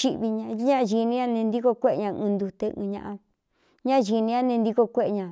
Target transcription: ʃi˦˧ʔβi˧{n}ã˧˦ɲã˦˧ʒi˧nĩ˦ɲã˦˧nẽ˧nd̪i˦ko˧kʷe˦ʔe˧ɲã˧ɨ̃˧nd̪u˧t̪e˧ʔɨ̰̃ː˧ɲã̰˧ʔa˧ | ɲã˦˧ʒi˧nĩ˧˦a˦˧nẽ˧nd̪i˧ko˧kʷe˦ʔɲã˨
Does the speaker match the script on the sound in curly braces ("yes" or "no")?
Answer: no